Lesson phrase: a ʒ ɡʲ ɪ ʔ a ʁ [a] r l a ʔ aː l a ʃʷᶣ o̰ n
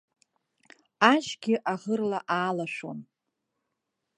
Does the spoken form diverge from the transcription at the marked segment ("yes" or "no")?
yes